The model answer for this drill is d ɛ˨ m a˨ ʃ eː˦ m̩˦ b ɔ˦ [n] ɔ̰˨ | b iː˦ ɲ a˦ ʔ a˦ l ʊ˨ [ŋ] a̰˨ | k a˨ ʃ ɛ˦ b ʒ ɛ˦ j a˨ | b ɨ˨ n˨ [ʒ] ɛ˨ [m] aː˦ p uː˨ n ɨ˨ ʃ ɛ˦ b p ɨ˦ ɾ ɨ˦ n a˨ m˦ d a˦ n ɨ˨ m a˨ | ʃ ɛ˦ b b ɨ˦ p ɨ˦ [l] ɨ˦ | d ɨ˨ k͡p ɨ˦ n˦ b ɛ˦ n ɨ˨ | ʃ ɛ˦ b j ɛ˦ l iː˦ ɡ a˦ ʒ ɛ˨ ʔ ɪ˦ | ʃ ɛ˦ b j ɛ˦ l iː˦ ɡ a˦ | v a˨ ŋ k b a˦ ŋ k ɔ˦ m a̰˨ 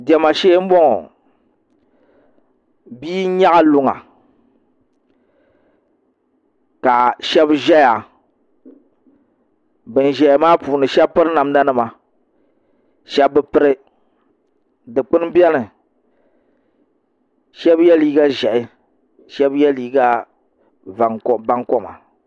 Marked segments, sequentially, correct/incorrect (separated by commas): incorrect, correct, correct, correct, incorrect